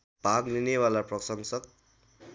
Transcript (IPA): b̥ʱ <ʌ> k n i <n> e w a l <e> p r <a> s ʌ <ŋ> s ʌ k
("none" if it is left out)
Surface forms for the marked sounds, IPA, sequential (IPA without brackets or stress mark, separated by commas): a, n, a, ʌ, ŋ